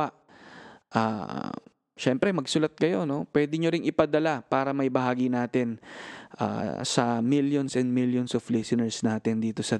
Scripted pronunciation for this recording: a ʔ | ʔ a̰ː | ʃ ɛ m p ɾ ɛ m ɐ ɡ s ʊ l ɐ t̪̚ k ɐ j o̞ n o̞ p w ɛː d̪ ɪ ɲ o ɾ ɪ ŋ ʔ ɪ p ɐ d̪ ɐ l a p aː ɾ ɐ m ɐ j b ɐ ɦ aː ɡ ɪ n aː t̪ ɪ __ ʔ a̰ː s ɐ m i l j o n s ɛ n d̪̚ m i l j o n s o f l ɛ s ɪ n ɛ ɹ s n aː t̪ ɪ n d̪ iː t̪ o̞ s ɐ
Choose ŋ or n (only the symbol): n